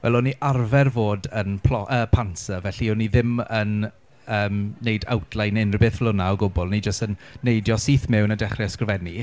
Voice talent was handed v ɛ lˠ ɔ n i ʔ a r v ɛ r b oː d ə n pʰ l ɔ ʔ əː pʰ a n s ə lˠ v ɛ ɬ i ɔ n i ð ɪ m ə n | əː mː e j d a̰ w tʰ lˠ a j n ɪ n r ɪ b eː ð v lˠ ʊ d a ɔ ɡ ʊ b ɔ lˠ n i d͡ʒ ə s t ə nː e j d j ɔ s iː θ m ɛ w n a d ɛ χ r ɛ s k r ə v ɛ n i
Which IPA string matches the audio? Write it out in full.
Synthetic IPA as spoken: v ɛ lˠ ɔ n i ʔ a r v ɛ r v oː d ə n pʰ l ɔ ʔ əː pʰ a n s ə v ɛ ɬ i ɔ n i ð ɪ m ə n | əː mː e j d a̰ w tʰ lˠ a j n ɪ n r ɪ b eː θ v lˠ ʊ n a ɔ ɡ ʊ b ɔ lˠ n i d͡ʒ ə s t ə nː e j d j ɔ s iː θ m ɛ w n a d ɛ χ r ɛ s k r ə v ɛ n i